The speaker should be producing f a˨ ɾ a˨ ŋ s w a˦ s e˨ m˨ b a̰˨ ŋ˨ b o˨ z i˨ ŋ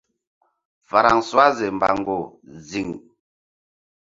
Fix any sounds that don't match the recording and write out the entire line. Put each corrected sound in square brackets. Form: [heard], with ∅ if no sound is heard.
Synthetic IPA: f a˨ ɾ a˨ ŋ s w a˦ [z] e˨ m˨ b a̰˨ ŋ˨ [ɡ] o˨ z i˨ ŋ